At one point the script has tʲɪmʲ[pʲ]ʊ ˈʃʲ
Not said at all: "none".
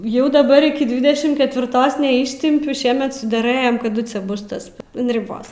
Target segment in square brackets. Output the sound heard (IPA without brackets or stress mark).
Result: pʲ